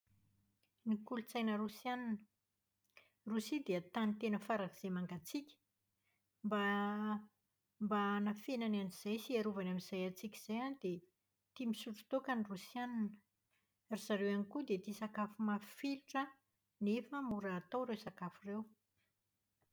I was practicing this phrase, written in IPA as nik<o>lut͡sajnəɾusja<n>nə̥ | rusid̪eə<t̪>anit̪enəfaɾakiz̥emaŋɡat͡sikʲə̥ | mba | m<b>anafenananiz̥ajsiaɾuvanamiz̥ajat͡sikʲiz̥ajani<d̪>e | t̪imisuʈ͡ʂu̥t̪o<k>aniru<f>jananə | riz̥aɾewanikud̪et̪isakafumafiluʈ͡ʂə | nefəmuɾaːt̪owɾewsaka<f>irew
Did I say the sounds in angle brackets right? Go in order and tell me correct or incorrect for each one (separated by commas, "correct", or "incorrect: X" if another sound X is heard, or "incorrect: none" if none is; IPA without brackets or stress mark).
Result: incorrect: u, correct, correct, correct, correct, correct, incorrect: s, correct